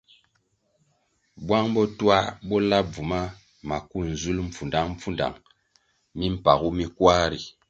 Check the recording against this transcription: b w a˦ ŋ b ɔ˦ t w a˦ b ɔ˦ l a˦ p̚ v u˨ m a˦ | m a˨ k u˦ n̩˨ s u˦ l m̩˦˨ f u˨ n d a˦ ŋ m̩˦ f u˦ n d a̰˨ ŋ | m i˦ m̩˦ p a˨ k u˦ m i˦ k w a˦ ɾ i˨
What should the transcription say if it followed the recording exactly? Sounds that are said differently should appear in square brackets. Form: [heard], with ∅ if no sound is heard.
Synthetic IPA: b w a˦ ŋ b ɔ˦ t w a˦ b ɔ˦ l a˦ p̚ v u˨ m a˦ | m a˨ k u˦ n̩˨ [z] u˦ l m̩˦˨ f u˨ n d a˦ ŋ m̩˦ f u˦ n d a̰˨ ŋ | m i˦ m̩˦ p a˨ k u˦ m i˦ k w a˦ ɾ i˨